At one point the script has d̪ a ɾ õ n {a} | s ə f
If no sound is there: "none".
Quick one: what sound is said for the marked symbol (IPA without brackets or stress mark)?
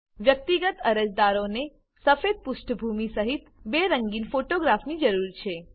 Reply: e